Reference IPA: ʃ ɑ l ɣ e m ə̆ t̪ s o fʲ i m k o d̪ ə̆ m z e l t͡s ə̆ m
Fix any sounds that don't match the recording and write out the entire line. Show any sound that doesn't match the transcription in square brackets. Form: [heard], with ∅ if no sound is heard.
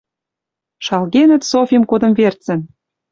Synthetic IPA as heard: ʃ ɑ l ɣ e [n] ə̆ t̪ s o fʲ i m k o d̪ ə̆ m [v] e [r] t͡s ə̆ [n]